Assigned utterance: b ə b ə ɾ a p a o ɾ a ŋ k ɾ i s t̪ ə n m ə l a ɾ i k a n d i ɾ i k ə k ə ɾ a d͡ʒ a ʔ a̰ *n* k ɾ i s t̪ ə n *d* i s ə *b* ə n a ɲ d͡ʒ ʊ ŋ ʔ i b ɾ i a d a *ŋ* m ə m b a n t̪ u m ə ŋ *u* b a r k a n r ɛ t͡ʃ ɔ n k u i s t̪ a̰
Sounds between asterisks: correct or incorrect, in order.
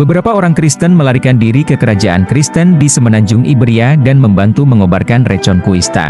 correct, correct, incorrect: m, incorrect: n, incorrect: o

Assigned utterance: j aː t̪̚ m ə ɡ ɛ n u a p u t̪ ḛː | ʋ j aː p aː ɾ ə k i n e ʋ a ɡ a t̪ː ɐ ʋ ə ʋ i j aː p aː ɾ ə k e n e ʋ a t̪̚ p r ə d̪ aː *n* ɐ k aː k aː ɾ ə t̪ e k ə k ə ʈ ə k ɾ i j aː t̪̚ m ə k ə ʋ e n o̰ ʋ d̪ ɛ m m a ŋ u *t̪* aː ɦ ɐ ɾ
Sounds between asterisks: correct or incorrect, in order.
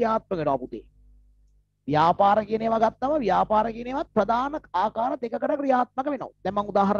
correct, incorrect: d̪

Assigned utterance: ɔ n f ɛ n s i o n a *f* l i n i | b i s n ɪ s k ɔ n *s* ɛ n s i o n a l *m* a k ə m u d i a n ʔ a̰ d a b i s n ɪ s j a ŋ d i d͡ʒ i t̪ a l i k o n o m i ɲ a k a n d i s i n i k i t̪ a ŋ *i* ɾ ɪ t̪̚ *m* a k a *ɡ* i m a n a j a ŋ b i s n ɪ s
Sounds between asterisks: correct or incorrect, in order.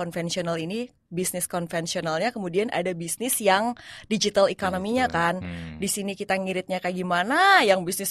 incorrect: none, incorrect: f, incorrect: ɲ, correct, incorrect: ɲ, correct

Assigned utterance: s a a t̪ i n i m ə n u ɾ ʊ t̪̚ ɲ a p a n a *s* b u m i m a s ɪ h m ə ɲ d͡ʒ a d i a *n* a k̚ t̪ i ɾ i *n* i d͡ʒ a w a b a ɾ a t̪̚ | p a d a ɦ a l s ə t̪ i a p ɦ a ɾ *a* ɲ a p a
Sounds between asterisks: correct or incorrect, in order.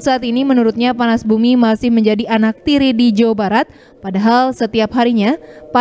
correct, correct, incorrect: d, incorrect: i

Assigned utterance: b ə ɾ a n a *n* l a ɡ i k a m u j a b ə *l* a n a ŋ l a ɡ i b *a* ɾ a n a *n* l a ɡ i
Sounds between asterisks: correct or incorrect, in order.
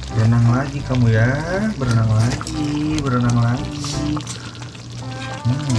incorrect: ŋ, incorrect: ɾ, incorrect: ə, incorrect: ŋ

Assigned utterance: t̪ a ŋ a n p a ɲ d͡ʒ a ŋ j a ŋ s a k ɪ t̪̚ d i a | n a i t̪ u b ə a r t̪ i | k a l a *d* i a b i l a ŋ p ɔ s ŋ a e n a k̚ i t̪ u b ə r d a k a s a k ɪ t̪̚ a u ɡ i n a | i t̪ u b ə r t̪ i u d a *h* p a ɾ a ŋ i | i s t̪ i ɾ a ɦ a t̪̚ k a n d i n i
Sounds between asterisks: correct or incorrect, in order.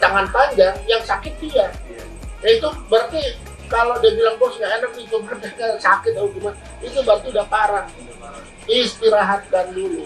correct, correct

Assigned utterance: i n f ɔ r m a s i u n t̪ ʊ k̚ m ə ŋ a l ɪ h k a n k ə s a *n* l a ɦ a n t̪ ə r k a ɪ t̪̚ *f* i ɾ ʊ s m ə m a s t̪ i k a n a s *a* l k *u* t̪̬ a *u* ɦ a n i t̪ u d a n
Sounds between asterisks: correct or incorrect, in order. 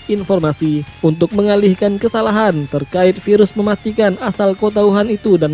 incorrect: none, correct, correct, incorrect: o, correct

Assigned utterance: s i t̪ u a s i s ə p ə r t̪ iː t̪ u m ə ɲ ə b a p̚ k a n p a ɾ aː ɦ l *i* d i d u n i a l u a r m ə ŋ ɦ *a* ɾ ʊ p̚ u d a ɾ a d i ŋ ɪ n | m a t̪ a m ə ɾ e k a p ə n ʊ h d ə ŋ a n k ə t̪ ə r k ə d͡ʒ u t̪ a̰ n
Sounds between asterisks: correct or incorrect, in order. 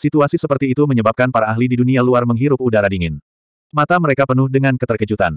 correct, incorrect: i

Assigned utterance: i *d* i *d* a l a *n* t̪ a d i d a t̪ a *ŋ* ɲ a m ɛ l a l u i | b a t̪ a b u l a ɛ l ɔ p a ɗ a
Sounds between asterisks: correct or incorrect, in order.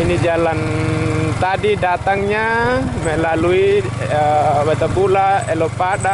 incorrect: n, incorrect: d͡ʒ, correct, correct

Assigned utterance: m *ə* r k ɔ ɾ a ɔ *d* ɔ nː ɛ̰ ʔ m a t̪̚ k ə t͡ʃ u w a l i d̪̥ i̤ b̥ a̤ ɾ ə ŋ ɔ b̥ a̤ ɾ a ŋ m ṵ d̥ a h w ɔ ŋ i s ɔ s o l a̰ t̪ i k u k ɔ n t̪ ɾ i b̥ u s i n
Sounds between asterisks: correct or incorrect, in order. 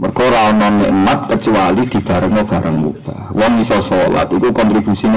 correct, incorrect: n

